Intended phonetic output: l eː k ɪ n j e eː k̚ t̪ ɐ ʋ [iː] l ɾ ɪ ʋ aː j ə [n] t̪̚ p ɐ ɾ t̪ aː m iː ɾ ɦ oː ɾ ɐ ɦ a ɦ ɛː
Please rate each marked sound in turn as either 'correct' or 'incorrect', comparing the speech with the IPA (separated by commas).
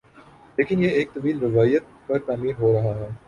correct, incorrect